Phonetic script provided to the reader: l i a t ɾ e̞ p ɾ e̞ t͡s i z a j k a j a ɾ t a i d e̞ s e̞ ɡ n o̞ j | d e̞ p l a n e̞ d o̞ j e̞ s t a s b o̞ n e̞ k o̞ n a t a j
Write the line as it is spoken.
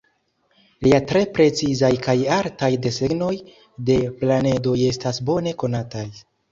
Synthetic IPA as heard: l i a t ɾ e̞ p ɾ e̞ t͡s i z a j k a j a ɾ t a j d e̞ s e̞ ɡ n o̞ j | d e̞ p l a n e̞ d o̞ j e̞ s t a s b o̞ n e̞ k o̞ n a t a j